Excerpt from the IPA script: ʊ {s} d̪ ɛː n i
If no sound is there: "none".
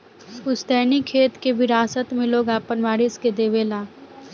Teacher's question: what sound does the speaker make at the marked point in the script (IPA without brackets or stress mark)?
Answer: s